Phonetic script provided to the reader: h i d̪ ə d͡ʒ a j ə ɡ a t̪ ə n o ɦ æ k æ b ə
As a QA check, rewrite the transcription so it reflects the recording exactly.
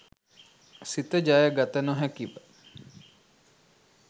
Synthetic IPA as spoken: s i t̪ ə d͡ʒ a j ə ɡ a t̪ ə n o ɦ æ k i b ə